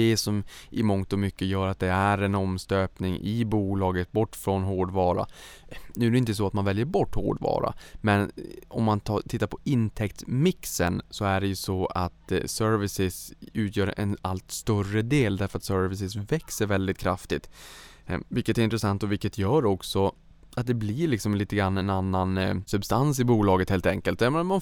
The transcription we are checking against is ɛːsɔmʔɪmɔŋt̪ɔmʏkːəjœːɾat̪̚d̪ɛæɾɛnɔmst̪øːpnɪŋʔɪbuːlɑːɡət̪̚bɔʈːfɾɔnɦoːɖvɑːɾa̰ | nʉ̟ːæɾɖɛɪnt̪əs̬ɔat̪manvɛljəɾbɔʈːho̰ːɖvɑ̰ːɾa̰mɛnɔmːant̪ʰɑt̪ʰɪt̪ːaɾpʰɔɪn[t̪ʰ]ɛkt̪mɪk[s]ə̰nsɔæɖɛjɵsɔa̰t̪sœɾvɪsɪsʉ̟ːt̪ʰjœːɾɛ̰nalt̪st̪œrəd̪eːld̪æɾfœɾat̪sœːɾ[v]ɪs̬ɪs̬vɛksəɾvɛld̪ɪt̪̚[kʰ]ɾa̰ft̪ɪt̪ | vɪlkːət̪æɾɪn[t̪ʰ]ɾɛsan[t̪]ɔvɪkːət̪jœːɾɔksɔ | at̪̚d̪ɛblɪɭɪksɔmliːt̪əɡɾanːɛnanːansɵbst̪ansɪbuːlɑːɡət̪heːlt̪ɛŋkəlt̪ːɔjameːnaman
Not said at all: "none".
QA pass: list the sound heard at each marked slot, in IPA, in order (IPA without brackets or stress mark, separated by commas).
t̪ʰ, s, v, kʰ, t̪, t̪